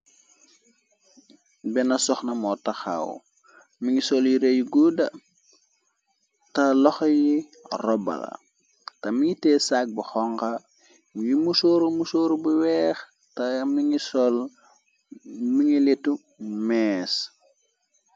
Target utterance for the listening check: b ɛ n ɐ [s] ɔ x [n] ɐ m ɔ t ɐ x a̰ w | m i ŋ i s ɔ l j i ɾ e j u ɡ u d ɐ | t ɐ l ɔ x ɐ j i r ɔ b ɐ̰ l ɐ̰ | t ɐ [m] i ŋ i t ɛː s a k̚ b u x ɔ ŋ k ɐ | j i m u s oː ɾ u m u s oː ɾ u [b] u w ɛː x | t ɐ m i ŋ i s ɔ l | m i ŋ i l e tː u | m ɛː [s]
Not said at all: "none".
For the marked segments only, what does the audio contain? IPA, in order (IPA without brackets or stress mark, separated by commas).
s, n, m, b, s